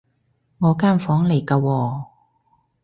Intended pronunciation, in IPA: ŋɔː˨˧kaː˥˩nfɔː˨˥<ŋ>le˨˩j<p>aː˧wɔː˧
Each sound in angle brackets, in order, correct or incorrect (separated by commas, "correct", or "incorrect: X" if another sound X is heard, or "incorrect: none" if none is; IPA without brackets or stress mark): correct, incorrect: k